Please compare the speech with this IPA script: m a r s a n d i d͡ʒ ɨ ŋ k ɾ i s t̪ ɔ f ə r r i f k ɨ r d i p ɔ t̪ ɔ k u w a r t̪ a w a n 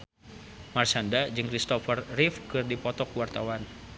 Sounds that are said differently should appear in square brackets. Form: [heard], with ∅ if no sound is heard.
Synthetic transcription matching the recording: m a r s a n d [a] d͡ʒ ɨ ŋ k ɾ i s t̪ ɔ f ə r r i f k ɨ r d i p ɔ t̪ ɔ k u w a r t̪ a w a n